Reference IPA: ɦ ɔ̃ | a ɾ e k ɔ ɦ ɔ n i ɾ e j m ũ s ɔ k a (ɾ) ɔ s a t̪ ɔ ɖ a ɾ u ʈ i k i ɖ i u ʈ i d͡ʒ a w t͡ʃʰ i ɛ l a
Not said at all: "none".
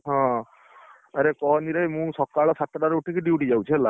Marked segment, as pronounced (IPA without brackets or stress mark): ɭ